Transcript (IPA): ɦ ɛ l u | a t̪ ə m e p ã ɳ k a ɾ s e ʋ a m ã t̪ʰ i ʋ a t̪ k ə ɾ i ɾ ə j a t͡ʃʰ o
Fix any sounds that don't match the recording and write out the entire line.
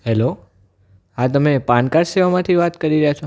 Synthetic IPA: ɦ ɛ l o | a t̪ ə m e p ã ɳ k a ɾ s e ʋ a m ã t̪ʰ i ʋ a t̪ k ə ɾ i ɾ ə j a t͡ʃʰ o